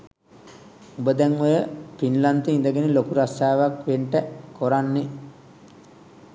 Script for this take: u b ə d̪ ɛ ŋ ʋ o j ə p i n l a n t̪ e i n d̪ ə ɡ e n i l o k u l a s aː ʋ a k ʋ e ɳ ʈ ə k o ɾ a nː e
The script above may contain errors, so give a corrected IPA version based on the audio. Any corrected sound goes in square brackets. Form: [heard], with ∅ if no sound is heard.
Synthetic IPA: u b ə d̪ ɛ ŋ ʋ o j ə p i n l a n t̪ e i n d̪ ə ɡ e n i l o k u [ɾ] a s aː ʋ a k ʋ e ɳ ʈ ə k o ɾ a nː e